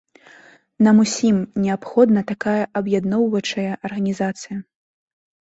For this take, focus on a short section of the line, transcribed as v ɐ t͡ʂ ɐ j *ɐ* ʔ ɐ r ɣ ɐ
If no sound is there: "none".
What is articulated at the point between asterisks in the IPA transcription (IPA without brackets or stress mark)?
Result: ɐ